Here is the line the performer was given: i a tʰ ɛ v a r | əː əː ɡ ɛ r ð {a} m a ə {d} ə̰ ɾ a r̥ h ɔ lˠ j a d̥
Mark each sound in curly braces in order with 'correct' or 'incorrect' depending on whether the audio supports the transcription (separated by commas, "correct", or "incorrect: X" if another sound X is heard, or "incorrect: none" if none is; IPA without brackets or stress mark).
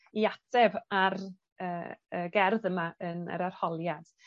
incorrect: ə, incorrect: n